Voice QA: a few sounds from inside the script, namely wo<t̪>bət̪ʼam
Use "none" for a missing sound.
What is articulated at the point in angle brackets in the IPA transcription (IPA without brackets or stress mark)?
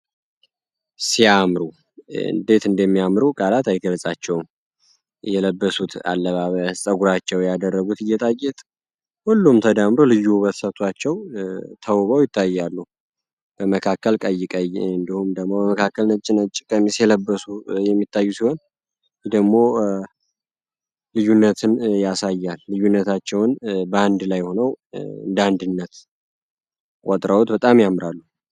t̪